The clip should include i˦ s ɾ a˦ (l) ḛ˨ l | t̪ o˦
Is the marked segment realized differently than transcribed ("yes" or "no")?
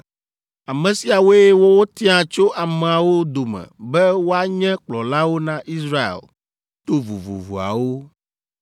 yes